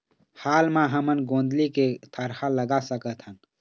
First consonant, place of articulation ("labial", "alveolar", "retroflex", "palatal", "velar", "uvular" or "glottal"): glottal